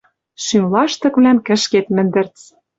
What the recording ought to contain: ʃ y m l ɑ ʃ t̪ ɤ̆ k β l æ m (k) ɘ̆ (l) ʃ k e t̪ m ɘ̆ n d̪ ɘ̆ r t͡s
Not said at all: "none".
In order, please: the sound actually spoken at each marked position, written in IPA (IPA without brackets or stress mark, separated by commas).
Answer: k, none